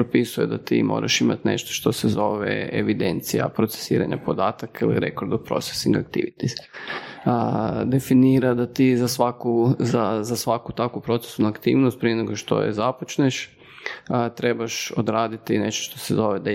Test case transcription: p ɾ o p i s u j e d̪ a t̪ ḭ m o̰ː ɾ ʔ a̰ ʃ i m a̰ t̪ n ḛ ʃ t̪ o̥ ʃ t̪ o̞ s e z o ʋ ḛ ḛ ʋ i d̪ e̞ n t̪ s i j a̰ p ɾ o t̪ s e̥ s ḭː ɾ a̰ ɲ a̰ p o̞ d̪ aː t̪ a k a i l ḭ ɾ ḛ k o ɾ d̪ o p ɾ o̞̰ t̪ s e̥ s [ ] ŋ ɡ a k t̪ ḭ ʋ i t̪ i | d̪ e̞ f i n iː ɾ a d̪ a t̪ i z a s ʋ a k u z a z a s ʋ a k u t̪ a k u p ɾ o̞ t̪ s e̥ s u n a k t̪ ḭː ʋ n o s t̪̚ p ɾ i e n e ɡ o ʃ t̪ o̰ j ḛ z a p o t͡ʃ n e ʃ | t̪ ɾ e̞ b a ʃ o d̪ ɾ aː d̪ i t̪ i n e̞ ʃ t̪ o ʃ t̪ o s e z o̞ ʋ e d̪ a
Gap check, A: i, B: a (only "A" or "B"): A